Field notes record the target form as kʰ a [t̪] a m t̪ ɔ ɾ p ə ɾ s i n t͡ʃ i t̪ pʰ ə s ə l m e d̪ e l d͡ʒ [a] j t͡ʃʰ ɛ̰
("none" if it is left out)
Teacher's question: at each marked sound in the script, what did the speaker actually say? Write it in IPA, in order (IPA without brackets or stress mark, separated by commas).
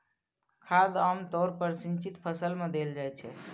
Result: d̪, a